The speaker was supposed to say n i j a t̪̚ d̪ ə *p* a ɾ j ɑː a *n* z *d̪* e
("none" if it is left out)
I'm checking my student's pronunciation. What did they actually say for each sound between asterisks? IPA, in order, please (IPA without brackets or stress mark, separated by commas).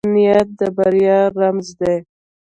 b, m, d̪